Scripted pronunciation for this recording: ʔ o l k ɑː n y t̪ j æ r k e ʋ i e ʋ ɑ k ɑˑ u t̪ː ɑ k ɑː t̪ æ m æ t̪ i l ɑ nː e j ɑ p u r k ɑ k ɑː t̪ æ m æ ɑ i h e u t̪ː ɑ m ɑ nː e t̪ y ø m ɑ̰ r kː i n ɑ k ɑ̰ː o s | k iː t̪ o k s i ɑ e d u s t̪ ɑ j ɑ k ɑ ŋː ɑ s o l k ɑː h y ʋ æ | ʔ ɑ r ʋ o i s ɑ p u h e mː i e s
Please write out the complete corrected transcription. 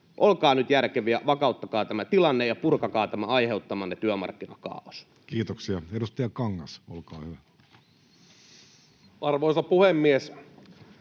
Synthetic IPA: ʔ o l k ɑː n y t̪ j æ r k e ʋ i æ ʋ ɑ k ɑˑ u t̪ː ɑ k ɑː t̪ æ m æ t̪ i l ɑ nː e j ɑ p u r k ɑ k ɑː t̪ æ m æ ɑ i h e u t̪ː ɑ m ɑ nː e t̪ y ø m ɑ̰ r kː i n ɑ k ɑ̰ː o s | k iː t̪ o k s i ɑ e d u s t̪ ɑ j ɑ k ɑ ŋː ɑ s o l k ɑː h y ʋ æ | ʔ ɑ r ʋ o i s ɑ p u h e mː i e s